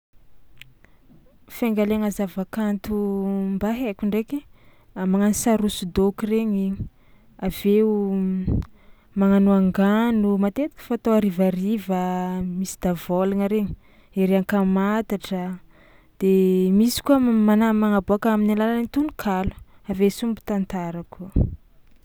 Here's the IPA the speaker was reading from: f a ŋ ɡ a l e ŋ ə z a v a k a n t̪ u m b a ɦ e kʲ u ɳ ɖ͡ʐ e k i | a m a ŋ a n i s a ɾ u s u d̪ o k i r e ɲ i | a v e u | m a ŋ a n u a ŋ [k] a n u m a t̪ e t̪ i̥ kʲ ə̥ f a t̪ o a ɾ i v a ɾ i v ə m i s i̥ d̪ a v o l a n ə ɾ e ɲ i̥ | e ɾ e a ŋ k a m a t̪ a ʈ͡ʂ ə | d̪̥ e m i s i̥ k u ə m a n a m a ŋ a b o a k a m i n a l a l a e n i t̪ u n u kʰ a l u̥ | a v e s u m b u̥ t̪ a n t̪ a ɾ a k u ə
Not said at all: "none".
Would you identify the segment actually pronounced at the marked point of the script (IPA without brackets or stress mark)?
ɡ